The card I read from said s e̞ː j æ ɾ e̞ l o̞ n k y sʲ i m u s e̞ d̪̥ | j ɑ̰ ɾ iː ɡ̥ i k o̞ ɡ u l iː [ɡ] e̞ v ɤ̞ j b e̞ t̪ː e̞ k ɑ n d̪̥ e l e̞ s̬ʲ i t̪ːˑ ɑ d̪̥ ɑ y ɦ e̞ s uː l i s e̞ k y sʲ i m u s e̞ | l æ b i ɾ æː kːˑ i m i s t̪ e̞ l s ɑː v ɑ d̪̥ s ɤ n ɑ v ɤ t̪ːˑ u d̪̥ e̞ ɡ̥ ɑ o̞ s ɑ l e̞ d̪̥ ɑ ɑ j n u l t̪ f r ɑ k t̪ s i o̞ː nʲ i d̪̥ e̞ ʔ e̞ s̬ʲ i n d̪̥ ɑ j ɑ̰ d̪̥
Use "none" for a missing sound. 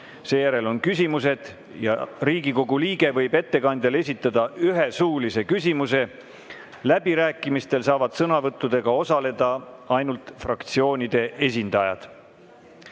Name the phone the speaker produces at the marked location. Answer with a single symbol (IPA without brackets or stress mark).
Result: ɡ